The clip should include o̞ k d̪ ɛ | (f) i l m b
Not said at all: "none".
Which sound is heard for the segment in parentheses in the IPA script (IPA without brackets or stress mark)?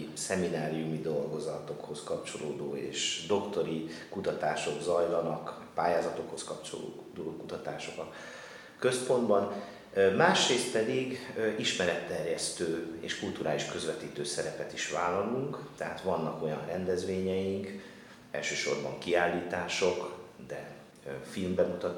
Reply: f